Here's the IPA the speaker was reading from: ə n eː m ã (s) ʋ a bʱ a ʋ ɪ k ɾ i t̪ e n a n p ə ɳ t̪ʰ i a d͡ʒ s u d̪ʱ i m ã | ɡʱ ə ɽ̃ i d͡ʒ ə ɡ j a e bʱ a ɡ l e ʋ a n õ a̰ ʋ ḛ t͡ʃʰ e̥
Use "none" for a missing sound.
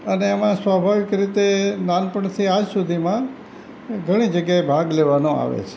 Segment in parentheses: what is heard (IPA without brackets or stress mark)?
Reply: s